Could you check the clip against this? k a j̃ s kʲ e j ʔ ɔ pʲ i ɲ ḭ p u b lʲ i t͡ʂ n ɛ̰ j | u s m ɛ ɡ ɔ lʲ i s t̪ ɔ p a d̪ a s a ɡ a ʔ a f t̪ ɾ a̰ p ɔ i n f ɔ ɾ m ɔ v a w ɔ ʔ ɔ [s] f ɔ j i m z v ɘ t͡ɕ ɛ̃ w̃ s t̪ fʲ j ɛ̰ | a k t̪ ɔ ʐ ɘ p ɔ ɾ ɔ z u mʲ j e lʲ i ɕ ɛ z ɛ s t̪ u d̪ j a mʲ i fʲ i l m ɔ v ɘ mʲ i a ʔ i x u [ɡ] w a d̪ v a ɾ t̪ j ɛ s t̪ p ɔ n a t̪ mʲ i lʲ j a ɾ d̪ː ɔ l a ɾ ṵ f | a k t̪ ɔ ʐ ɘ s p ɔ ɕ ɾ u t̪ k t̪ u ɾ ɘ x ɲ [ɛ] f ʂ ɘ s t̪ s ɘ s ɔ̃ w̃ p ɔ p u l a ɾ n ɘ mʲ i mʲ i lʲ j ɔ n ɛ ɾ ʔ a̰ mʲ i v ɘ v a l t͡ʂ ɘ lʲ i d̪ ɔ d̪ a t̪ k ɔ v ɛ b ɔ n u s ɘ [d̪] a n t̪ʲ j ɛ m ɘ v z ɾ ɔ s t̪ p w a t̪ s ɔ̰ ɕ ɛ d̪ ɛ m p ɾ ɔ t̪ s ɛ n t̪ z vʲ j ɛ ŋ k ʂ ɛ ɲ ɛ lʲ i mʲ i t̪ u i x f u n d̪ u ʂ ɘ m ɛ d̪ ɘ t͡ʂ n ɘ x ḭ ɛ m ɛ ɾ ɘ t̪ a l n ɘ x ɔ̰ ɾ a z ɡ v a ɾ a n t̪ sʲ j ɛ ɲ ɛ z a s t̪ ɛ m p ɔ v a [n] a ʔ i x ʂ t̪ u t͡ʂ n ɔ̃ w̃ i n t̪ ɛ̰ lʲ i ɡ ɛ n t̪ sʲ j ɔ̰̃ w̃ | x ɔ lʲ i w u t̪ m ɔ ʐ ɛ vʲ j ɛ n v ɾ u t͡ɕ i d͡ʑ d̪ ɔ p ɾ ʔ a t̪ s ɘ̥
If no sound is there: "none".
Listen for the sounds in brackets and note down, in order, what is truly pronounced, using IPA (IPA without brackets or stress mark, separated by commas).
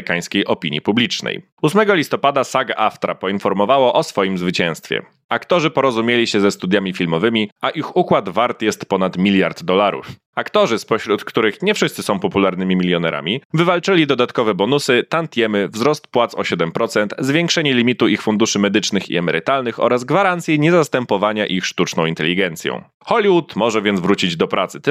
s, k, ɛ, t̪, ɲ